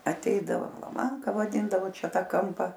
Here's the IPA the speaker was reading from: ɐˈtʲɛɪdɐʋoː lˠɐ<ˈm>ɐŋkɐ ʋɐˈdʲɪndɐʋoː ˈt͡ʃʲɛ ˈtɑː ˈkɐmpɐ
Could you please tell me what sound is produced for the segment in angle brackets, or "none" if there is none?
m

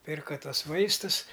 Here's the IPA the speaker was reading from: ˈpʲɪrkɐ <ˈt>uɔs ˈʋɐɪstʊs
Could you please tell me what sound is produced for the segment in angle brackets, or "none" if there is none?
t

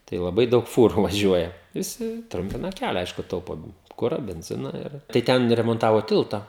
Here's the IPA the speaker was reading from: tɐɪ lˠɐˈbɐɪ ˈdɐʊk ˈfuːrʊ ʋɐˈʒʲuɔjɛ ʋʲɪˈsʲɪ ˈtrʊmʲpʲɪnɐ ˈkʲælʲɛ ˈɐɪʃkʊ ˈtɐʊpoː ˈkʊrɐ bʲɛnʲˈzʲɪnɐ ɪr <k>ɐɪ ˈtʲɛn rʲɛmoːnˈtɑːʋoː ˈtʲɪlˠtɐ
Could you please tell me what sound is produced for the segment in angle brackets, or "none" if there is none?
t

